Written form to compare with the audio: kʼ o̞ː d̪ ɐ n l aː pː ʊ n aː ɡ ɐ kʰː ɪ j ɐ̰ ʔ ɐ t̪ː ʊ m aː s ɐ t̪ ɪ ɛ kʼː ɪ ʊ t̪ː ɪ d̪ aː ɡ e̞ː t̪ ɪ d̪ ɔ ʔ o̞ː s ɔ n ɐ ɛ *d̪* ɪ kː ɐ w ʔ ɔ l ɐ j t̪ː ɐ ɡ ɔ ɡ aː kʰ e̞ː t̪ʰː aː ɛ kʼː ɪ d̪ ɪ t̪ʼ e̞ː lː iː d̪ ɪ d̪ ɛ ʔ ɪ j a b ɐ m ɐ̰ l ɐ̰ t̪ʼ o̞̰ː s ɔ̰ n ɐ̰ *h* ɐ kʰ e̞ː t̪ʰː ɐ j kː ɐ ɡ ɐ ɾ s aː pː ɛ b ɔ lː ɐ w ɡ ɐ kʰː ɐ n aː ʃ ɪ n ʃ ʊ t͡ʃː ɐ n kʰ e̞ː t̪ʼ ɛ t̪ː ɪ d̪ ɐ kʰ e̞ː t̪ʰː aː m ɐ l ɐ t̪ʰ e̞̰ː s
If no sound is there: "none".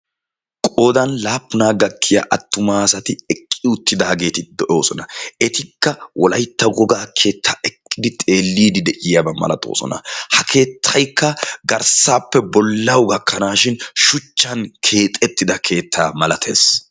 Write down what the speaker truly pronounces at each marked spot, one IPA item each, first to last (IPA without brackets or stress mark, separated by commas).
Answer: t̪, h